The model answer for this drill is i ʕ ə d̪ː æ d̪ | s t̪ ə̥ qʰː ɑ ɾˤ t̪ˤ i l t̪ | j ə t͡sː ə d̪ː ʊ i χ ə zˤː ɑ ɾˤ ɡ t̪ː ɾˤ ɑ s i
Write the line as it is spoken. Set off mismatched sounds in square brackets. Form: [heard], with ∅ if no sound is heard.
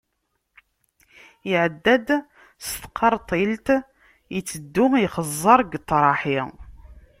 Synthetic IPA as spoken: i ʕ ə d̪ː æ d̪ | s t̪ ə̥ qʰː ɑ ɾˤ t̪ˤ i l t̪ | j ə t͡sː ə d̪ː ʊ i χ ə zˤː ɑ ɾˤ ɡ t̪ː ɾˤ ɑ [ħ] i